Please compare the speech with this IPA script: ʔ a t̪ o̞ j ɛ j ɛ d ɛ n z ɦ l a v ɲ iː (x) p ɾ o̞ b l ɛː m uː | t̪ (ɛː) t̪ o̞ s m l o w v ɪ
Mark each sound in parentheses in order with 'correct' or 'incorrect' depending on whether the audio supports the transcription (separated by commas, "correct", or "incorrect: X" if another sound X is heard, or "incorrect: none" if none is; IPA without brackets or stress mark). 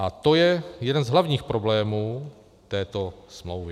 correct, correct